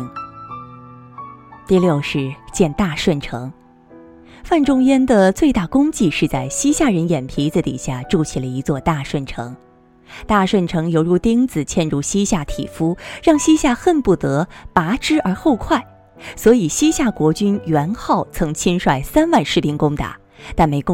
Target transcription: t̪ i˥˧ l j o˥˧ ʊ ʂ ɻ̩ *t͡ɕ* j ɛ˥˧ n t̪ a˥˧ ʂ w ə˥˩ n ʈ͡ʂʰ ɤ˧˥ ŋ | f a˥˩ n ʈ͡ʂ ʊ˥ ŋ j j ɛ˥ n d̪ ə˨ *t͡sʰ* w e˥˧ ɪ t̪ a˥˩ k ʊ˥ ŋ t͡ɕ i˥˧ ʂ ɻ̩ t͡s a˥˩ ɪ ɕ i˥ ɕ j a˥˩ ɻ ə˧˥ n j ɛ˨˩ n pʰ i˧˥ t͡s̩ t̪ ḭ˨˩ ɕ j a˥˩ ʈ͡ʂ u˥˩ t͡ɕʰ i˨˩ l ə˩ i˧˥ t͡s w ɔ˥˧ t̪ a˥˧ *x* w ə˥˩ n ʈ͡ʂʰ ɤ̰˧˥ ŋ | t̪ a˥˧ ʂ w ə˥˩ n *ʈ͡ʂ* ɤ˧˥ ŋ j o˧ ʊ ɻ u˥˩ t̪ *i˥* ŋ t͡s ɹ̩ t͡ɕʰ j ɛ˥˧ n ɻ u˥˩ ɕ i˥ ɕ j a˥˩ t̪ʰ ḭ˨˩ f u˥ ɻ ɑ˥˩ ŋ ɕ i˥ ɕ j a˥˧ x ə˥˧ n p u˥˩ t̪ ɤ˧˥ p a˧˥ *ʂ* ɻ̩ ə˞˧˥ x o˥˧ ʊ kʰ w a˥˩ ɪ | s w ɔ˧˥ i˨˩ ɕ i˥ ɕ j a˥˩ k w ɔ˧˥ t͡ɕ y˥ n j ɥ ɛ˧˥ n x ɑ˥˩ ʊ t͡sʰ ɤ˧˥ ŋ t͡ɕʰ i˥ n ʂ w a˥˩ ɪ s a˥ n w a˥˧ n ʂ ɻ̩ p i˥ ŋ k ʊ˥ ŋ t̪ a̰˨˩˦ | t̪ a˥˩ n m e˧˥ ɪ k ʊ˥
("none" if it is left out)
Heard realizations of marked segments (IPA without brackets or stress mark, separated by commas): t͡ɕ, t͡s, ʂ, ʈ͡ʂʰ, i˥, ʈ͡ʂ